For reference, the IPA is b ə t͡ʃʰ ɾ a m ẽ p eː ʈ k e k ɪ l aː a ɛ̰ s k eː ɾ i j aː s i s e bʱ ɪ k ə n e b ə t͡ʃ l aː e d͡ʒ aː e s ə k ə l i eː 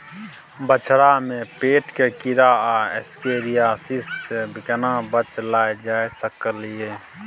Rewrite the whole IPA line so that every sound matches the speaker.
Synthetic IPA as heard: b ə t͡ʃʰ ɾ a m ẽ p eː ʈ k e k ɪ ɾ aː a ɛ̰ s k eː ɾ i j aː s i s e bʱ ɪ k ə n a b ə t͡ʃ l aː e d͡ʒ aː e s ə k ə l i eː